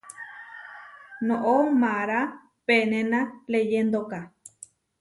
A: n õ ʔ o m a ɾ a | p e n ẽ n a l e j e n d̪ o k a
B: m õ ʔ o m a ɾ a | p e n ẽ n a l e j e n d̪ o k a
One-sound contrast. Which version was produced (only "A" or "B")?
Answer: A